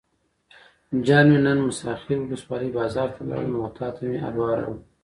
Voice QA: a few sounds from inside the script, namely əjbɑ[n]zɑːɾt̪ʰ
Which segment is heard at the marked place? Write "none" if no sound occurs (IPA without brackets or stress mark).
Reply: none